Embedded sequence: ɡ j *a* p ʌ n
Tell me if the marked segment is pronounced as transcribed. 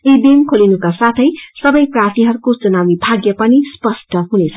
no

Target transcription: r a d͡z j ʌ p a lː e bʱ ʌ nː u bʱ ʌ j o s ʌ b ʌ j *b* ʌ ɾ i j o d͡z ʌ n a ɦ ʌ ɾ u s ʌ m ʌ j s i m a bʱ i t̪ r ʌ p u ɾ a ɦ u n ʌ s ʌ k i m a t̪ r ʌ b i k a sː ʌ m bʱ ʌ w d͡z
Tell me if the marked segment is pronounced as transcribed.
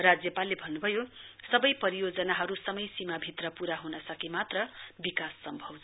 no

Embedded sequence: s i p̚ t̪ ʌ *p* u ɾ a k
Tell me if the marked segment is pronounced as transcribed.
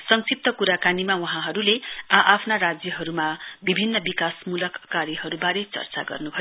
no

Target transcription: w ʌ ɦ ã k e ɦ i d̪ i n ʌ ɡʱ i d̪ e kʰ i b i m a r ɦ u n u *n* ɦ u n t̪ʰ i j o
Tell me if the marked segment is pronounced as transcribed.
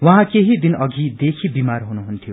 no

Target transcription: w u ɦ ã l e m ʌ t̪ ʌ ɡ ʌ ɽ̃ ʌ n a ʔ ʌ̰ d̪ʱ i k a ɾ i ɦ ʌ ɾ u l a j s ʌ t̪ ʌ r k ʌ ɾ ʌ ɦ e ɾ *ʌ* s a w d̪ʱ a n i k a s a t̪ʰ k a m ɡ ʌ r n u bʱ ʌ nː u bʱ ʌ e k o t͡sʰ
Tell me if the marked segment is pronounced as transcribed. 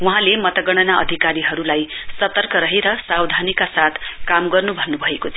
yes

